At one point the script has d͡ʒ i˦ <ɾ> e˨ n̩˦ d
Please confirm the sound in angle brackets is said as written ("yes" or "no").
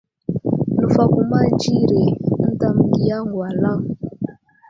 yes